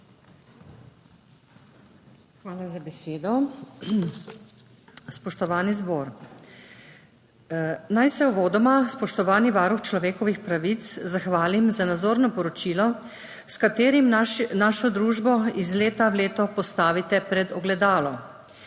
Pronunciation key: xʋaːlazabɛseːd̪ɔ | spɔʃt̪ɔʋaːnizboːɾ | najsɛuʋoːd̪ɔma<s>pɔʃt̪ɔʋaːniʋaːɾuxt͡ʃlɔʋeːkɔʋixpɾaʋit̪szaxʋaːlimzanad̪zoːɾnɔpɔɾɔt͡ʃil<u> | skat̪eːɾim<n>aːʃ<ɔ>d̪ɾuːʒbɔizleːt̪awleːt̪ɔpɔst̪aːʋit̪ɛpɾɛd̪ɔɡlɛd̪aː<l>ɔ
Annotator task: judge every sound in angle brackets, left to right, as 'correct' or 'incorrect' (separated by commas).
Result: correct, incorrect, correct, correct, correct